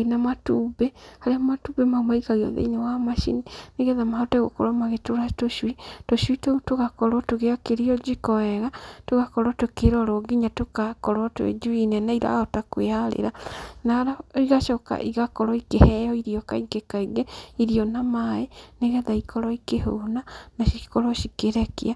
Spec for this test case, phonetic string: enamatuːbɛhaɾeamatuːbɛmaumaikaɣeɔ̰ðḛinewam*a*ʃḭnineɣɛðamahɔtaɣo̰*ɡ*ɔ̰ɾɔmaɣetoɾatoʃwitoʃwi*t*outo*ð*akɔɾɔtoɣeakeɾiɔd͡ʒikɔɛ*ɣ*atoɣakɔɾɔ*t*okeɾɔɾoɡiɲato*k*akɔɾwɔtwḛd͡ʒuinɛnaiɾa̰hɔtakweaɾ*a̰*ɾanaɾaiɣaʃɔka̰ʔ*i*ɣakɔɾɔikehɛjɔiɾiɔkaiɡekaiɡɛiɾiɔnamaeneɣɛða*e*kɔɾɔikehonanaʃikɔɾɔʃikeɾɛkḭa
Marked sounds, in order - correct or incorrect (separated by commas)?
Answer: correct, incorrect, correct, incorrect, correct, correct, correct, incorrect, correct, incorrect